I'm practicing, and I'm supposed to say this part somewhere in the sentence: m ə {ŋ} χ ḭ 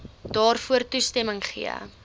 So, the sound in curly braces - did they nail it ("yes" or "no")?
yes